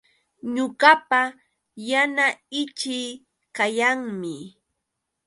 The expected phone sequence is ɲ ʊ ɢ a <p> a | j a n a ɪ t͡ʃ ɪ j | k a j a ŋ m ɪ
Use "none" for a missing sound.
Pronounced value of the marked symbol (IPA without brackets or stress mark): p